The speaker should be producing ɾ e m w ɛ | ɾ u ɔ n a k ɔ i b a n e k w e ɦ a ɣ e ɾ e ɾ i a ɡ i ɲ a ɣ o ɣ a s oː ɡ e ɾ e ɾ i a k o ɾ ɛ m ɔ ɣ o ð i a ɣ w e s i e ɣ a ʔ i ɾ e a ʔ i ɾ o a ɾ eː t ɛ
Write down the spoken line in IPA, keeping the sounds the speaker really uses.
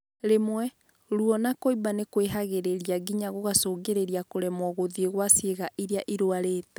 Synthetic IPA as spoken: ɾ e m w ɛ | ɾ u ɔ n a k o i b a n e k w e ɦ a ɣ e ɾ e ɾ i a ɡ i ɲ a ɣ o ɣ a s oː ɡ e ɾ e ɾ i a k o ɾ ɛ m ɔ ɣ o ð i e ɣ w a s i e ɣ a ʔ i ɾ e a ʔ i ɾ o a ɾ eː t ɛ